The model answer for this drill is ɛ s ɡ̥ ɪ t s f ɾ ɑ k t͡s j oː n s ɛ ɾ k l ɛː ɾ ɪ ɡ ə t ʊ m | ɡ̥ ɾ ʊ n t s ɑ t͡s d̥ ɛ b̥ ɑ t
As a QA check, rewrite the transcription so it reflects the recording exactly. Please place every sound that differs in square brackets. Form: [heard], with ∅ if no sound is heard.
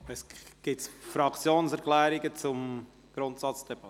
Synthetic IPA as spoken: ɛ s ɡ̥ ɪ t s f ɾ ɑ k t͡s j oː n s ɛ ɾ k l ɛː ɾ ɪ ɡ ə [t͡s] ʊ m | ɡ̥ ɾ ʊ n t s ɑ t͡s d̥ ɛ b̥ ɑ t